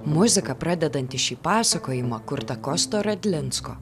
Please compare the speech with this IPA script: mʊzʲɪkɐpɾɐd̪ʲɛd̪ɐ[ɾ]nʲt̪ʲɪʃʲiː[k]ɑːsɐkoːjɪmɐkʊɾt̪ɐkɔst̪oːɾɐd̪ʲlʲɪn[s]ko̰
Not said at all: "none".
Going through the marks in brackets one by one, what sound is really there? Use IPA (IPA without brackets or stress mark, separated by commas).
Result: none, p, s